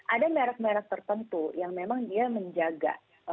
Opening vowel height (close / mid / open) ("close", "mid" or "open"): open